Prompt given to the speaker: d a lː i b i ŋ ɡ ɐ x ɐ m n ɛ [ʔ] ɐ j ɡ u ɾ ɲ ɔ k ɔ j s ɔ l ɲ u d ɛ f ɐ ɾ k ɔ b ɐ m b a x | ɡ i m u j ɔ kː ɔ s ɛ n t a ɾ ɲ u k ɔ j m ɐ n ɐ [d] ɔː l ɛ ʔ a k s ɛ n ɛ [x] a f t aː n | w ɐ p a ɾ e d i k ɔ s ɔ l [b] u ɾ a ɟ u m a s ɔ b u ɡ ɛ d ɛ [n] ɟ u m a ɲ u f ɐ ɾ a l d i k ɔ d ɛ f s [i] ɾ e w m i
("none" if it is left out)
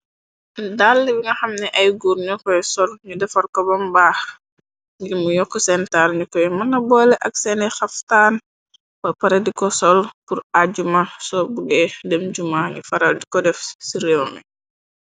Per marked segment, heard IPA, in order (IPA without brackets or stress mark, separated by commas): ʔ, b, x, p, m, i